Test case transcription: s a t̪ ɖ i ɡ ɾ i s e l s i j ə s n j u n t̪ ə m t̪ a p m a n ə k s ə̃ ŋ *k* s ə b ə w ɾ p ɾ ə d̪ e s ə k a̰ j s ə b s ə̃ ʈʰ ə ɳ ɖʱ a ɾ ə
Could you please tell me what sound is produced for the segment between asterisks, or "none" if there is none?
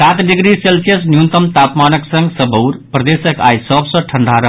ɡ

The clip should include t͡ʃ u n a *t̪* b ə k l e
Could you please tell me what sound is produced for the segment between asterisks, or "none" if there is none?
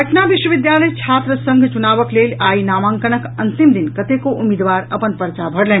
none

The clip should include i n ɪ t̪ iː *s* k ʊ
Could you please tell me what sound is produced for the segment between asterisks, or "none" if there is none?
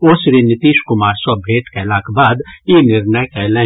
ʃ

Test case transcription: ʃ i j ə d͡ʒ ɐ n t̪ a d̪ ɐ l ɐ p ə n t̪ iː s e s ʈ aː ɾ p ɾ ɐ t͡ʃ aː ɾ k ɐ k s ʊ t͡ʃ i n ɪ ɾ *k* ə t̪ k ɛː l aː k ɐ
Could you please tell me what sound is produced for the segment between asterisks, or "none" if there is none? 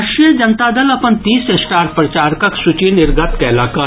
ɡ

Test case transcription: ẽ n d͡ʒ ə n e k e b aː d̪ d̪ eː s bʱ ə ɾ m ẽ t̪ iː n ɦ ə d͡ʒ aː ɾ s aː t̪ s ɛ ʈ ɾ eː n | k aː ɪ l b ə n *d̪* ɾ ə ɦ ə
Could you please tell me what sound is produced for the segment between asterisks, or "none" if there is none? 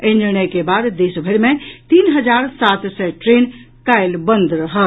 d̪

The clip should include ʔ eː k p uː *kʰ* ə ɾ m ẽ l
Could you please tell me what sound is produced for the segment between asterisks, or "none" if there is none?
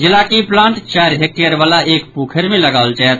kʰ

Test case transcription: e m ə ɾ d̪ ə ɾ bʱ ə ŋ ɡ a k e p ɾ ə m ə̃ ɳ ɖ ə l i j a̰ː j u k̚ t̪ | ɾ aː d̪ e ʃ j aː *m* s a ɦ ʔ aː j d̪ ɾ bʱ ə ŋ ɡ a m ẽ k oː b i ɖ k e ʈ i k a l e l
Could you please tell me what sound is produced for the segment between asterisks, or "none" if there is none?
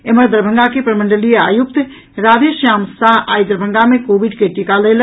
m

